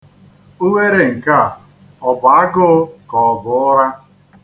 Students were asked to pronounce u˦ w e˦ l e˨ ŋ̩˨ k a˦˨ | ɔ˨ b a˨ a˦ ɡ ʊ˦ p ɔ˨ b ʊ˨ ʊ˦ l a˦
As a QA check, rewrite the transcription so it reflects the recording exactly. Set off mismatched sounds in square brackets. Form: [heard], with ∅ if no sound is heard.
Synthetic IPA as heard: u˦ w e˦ [ɾ] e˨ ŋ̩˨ k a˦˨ | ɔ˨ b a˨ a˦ ɡ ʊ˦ [k] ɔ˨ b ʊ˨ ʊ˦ [ɾ] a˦